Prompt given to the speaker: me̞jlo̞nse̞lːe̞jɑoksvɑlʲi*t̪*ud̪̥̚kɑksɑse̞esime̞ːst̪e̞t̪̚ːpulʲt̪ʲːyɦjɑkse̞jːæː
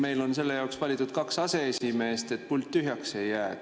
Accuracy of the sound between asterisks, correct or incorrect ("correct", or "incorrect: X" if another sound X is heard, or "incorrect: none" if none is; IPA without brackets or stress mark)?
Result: correct